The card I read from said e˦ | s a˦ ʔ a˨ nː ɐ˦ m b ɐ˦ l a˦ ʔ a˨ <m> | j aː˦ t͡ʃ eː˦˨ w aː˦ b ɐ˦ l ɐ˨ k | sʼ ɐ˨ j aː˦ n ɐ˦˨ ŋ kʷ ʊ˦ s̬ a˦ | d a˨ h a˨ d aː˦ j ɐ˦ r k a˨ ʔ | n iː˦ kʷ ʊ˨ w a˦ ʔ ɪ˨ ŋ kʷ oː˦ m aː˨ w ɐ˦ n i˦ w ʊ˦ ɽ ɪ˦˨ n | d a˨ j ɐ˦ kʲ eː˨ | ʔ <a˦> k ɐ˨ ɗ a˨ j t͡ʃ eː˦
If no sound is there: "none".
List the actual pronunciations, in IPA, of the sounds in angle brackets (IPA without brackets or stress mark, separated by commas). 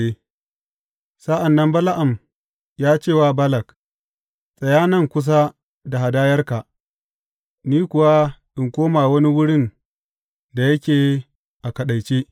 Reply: m, a˨